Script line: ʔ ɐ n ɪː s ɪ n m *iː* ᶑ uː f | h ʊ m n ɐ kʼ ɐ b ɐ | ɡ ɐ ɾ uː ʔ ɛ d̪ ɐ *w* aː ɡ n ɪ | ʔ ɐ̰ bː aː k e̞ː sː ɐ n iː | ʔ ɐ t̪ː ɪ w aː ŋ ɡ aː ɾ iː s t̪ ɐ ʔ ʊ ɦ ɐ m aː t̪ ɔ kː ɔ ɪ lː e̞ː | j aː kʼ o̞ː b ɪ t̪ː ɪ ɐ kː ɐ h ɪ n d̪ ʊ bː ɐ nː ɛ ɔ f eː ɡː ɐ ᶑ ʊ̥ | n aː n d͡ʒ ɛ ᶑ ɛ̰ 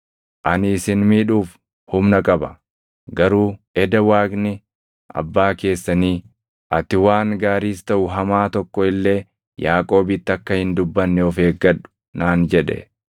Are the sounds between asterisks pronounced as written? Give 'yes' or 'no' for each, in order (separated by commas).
yes, yes